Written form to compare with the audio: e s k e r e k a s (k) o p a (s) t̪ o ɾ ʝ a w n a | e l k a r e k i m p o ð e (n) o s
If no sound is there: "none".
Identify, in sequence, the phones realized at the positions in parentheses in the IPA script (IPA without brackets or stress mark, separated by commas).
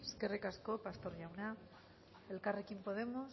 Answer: k, s, m